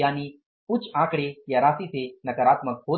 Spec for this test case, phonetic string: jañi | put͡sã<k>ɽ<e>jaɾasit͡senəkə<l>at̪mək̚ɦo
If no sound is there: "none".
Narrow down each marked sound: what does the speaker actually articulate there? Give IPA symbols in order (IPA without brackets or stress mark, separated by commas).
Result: k, e, ɾ